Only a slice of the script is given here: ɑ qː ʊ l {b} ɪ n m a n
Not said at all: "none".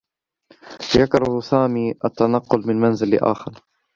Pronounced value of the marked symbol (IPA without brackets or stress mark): m